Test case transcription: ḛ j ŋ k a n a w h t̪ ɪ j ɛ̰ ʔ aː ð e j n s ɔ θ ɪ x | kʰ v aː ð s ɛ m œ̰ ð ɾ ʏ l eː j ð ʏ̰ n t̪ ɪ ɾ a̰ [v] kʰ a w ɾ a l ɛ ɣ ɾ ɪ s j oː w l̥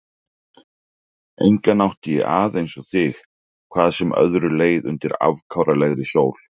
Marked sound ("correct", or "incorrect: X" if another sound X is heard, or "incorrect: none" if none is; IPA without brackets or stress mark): correct